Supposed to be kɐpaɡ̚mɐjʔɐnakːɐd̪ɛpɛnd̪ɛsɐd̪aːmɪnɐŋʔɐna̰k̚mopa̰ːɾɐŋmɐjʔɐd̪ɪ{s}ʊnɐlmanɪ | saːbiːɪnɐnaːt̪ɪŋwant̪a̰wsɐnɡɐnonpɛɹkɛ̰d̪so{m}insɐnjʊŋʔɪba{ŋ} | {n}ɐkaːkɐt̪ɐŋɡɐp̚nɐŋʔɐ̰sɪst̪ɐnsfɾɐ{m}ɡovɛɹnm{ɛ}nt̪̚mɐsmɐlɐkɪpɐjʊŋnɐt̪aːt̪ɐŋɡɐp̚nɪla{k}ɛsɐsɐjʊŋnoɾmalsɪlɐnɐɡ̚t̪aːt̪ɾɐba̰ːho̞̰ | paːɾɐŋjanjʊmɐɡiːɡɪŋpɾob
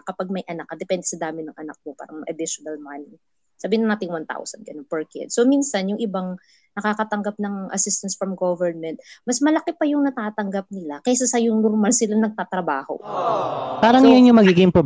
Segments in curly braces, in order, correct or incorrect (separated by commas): incorrect, correct, correct, correct, correct, correct, correct